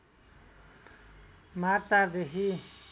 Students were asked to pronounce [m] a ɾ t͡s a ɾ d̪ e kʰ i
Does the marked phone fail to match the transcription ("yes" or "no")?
no